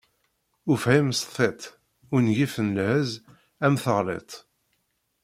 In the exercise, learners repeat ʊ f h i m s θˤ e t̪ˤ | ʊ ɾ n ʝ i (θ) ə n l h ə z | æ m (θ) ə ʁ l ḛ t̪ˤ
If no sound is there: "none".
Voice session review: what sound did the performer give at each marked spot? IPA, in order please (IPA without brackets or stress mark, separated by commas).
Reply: f, θ